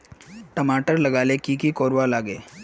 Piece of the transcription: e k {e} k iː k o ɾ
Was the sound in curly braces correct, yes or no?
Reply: no